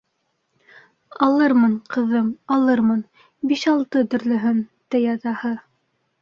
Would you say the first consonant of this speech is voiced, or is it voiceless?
voiced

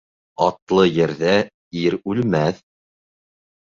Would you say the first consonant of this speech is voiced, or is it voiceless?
voiceless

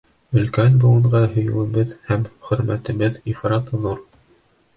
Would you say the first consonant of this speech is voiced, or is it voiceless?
voiced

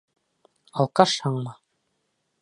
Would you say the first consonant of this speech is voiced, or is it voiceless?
voiced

